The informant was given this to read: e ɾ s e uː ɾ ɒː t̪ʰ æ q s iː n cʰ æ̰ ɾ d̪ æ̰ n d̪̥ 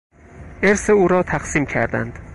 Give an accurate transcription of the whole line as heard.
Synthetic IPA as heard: e ɾ s e uː ɾ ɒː t̪ʰ æ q s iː m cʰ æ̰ ɾ d̪ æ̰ n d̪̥